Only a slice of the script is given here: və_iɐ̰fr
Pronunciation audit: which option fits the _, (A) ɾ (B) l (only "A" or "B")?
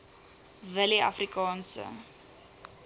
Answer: B